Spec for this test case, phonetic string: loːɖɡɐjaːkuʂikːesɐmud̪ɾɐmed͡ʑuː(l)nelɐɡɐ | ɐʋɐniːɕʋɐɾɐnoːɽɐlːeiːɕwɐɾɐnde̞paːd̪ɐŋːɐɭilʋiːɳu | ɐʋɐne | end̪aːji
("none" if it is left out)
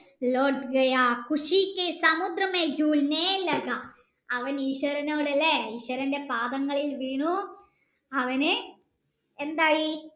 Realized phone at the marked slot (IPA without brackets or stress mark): l